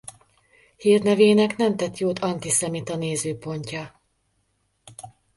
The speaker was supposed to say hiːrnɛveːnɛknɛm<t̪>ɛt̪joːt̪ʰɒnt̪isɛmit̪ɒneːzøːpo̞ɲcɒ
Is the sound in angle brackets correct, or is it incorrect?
correct